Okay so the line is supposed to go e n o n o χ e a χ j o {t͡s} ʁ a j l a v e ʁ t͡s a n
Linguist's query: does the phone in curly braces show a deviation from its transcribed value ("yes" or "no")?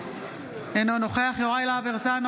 yes